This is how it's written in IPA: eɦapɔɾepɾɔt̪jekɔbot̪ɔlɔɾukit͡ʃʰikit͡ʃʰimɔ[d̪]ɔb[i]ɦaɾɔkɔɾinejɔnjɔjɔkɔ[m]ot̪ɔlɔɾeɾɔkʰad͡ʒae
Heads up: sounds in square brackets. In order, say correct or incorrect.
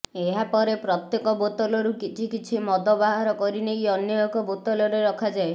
correct, incorrect: a, incorrect: b

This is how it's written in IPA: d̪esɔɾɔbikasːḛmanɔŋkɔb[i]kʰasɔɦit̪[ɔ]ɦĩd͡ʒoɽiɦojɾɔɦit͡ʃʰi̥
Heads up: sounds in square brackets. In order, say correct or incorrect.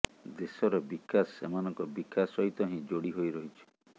correct, correct

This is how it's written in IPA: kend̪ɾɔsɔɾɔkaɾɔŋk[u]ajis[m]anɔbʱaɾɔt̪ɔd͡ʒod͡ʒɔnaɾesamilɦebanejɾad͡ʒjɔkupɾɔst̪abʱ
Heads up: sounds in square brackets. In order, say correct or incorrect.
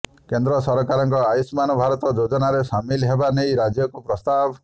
incorrect: ɔ, correct

